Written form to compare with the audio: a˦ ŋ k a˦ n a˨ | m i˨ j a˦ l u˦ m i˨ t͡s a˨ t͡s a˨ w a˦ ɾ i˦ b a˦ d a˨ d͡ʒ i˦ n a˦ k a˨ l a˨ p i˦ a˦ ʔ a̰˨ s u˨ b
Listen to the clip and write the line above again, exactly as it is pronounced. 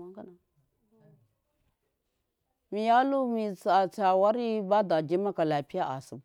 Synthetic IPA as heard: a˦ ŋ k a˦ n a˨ | m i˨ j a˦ l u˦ m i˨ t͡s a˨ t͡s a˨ w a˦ ɾ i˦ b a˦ d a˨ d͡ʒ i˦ m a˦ k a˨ l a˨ p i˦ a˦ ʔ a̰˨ s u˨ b